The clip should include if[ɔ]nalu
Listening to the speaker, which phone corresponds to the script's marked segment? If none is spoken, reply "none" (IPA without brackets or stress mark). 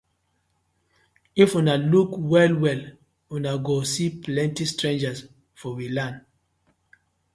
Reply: u